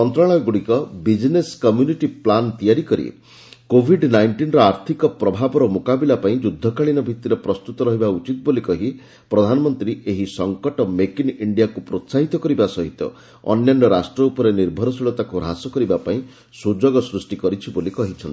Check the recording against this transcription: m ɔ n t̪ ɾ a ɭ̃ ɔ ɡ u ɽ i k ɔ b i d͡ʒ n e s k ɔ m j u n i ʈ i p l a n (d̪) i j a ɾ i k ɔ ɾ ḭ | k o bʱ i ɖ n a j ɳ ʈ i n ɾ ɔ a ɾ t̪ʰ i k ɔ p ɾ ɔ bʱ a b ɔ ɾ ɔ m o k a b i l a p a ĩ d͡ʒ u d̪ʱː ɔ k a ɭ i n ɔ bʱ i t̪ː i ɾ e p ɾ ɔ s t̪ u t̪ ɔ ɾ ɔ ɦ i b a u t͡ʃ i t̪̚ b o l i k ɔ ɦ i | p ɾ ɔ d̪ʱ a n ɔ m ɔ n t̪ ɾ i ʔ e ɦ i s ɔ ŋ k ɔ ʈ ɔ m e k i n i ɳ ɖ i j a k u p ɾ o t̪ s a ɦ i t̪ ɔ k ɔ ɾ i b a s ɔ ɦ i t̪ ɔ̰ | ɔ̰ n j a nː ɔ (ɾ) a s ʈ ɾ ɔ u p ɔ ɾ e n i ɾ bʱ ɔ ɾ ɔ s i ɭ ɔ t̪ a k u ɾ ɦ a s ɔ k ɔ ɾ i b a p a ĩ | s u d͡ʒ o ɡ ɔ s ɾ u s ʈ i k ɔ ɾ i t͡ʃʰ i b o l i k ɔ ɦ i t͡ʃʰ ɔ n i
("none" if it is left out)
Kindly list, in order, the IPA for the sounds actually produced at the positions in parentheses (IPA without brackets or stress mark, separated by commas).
t̪, ɾ